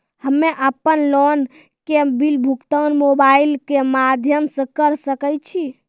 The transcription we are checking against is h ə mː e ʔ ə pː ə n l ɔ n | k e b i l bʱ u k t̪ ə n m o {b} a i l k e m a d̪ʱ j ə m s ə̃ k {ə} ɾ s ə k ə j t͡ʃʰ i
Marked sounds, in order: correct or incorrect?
correct, correct

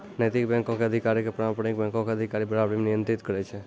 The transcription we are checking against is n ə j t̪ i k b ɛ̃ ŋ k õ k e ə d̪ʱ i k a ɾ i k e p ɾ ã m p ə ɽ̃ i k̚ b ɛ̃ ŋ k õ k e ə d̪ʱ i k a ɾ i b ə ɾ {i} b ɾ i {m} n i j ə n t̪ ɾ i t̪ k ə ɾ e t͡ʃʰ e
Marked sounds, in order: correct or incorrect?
incorrect, correct

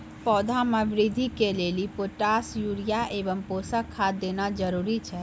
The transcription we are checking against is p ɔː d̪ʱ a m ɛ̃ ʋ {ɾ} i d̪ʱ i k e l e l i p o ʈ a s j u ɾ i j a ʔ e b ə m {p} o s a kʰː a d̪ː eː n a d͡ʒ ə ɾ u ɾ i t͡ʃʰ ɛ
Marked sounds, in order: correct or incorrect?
correct, correct

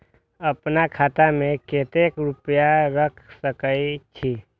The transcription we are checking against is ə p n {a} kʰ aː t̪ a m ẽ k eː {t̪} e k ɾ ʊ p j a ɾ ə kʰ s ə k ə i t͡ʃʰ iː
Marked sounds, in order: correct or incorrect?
correct, correct

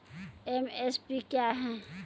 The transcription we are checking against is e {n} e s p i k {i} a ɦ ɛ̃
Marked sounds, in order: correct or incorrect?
incorrect, incorrect

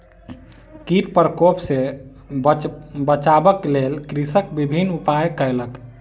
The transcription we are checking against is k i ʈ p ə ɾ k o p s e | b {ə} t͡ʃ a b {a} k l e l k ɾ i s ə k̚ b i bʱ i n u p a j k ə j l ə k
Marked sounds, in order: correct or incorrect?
correct, incorrect

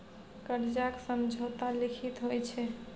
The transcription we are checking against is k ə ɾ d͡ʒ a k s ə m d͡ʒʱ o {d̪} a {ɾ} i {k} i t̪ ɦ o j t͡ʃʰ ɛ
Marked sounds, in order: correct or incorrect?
incorrect, incorrect, incorrect

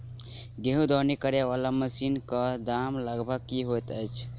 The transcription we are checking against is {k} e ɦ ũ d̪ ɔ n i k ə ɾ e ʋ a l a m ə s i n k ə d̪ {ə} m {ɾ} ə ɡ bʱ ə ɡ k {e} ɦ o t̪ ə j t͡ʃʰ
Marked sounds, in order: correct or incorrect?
incorrect, incorrect, incorrect, incorrect

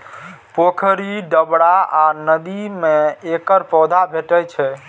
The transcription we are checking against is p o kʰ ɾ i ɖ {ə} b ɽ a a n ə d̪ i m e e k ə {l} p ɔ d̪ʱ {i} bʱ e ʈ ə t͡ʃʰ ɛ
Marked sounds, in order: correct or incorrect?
correct, incorrect, incorrect

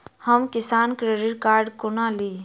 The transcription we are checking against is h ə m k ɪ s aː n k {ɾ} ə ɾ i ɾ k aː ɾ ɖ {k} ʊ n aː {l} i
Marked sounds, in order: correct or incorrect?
correct, correct, correct

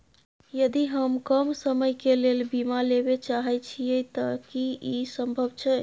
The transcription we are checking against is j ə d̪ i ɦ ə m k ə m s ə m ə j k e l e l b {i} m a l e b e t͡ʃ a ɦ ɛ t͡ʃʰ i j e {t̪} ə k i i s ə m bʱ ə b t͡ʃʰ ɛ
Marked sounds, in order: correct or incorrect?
correct, correct

